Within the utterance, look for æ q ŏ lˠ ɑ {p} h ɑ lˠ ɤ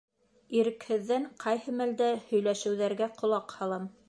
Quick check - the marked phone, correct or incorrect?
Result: incorrect